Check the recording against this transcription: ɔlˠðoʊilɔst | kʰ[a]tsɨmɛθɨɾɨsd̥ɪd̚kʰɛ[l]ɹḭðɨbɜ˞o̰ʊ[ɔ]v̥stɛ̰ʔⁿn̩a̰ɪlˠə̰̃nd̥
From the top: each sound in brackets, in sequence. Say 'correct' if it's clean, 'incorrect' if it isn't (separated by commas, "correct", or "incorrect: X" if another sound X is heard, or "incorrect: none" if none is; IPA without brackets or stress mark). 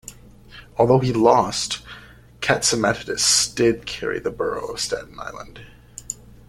incorrect: æ, incorrect: none, incorrect: ʌ